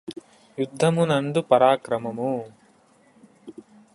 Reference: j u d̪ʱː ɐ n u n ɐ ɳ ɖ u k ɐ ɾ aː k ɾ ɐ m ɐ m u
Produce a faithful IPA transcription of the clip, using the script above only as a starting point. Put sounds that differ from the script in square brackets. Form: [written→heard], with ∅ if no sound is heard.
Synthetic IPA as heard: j u d̪ʱː ɐ [n→m] u n ɐ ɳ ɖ u [k→p] ɐ ɾ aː k ɾ ɐ m ɐ m u